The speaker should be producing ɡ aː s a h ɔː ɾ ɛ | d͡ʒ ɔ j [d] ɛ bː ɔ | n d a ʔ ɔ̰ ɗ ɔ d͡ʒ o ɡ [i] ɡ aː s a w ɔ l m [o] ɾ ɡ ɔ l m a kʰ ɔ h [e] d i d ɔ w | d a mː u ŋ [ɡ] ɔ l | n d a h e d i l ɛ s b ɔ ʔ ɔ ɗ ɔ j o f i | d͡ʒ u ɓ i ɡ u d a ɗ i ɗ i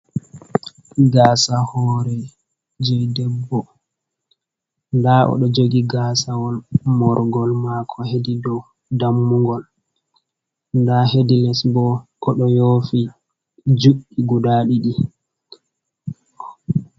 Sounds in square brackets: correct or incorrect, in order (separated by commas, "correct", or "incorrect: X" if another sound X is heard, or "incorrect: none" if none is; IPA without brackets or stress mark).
correct, correct, incorrect: ɔ, correct, correct